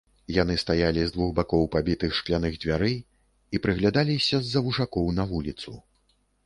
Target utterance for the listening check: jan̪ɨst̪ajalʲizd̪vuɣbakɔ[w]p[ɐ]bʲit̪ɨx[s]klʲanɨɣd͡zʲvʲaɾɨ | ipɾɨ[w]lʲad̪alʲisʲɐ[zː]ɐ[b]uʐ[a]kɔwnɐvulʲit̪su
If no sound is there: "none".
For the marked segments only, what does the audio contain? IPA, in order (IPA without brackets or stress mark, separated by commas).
w, a, ʂ, ɣ, zː, v, a